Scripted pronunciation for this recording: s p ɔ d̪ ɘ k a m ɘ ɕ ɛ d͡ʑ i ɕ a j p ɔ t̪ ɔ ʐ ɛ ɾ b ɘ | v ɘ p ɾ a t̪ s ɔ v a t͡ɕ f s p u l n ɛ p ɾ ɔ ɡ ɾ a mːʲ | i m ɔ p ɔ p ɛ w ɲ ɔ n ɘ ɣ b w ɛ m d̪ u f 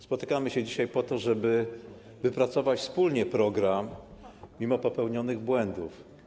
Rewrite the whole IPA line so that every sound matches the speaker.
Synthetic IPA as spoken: s p ɔ t̪ ɘ k a m ɘ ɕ ɛ d͡ʑ i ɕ a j p ɔ t̪ ɔ ʐ ɛ b ɘ | v ɘ p ɾ a t̪ s ɔ v a t͡ɕ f s p u l ɲ ɛ p ɾ ɔ ɡ ɾ a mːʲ | i m ɔ p ɔ p ɛ w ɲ ɔ n ɘ ɣ b w ɛ n d̪ u f